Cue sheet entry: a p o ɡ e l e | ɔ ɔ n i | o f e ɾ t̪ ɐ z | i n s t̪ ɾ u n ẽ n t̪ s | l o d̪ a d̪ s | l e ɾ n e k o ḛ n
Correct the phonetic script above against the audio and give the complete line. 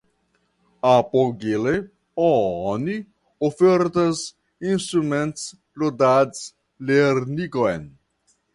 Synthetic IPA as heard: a p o ɡ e l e | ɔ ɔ n i | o f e ɾ t̪ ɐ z | i n s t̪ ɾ u m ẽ n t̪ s | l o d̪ a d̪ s | l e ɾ n i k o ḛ n